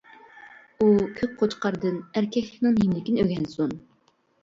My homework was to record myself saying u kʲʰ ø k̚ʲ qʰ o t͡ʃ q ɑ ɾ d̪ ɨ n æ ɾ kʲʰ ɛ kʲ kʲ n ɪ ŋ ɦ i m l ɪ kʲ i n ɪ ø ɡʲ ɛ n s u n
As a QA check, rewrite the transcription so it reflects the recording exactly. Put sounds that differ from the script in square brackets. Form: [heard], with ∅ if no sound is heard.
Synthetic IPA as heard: u kʲʰ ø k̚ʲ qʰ o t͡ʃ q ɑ ɾ d̪ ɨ n æ ɾ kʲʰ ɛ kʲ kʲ n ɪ ŋ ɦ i m l ɪ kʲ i n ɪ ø ɡʲ ɛ n s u n

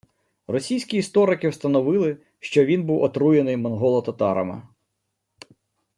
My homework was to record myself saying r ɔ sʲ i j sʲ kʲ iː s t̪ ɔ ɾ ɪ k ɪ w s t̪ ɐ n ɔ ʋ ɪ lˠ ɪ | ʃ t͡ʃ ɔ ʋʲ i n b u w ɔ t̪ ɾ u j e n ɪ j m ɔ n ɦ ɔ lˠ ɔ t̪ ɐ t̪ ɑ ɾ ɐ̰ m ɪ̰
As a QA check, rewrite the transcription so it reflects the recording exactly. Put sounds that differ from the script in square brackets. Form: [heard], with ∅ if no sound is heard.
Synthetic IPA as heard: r ɔ sʲ i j sʲ kʲ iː s t̪ ɔ ɾ ɪ k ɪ w s t̪ ɐ n ɔ ʋ ɪ lˠ ɪ | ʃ t͡ʃ ɔ ʋʲ i n b u w ɔ t̪ ɾ u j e n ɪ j m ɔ n ɦ ɔ lˠ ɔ t̪ ɐ t̪ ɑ ɾ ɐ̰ m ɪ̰

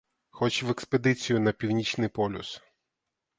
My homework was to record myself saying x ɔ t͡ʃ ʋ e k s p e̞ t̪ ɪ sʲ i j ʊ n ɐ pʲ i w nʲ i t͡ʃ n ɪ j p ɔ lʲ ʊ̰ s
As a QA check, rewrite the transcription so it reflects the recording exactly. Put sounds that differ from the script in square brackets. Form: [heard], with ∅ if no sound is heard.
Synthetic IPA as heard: x ɔ t͡ʃ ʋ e k s p e̞ [d̪] ɪ [t͡sʲ] i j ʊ n ɐ pʲ i w nʲ i t͡ʃ n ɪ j p ɔ lʲ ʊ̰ s

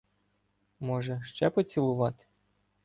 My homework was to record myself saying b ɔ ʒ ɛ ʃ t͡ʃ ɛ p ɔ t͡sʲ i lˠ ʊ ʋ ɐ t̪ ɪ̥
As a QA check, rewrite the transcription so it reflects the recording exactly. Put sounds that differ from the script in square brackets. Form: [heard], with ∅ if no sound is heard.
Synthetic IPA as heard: [m] ɔ ʒ ɛ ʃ t͡ʃ ɛ p ɔ t͡sʲ i lˠ ʊ ʋ [ɑ] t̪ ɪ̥

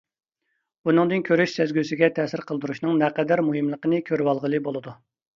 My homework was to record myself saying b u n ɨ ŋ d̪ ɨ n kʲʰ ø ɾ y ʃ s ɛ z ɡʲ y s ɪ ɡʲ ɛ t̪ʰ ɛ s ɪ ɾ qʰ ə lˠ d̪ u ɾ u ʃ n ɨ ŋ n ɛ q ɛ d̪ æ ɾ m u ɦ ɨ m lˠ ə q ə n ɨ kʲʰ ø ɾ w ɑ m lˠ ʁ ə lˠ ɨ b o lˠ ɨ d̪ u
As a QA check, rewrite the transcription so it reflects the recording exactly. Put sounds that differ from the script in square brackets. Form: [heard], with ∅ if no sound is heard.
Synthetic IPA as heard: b u n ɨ ŋ d̪ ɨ n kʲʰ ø ɾ y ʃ s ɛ z ɡʲ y s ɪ ɡʲ ɛ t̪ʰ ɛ s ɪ ɾ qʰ ə lˠ d̪ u ɾ u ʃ n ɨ ŋ n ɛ q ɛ d̪ æ ɾ m u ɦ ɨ m lˠ ə q ə n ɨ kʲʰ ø ɾ w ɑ [∅] lˠ ʁ ə lˠ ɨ b o lˠ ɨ d̪ u

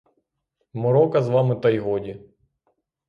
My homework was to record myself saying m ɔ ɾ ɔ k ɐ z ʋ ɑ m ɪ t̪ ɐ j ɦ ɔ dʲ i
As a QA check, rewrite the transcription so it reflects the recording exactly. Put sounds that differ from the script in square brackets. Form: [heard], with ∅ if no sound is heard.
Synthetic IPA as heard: m ɔ ɾ ɔ k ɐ z ʋ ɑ m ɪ t̪ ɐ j ɦ ɔ dʲ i

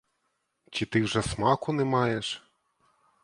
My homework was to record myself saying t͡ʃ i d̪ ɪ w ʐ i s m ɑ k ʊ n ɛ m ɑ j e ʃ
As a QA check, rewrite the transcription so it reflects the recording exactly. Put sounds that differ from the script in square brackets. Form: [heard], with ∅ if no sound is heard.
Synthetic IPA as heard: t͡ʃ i [t̪] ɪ w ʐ [ɛ] s m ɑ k ʊ n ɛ m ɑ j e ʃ

